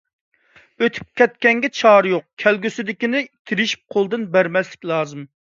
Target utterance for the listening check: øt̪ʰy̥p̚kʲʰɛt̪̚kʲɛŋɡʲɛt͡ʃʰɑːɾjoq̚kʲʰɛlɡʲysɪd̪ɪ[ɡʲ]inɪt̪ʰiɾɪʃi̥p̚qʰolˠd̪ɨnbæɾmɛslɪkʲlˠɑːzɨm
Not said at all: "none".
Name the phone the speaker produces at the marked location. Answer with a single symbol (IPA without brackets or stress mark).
kʲ